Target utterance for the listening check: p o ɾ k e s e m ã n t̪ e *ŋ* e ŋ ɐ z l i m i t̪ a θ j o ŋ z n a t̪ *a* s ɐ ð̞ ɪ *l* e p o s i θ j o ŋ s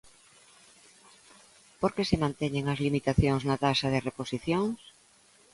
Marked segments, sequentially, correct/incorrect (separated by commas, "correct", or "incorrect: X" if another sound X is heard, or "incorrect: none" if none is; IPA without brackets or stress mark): incorrect: ɲ, correct, incorrect: r